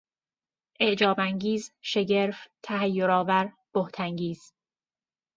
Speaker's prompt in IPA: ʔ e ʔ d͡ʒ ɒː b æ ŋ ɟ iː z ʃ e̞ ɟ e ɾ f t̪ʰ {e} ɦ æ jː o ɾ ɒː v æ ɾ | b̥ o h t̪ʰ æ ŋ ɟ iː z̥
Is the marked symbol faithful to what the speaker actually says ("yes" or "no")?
no